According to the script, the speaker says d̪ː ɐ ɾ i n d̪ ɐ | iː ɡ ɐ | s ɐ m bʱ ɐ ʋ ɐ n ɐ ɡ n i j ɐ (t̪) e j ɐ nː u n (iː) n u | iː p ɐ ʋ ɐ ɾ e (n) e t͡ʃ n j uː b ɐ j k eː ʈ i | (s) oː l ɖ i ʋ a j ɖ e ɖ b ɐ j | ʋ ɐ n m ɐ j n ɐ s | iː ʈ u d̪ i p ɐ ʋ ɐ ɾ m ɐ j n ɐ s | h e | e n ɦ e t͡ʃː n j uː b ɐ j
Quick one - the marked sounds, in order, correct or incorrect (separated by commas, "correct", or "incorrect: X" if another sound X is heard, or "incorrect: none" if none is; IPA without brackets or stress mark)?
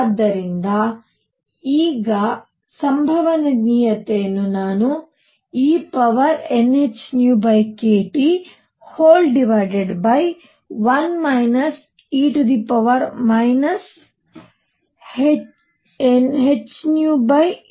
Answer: correct, incorrect: aː, correct, incorrect: h